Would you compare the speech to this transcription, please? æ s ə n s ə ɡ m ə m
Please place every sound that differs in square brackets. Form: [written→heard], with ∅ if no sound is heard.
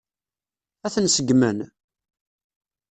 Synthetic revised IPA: æ [s→θ] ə n s ə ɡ m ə [m→n]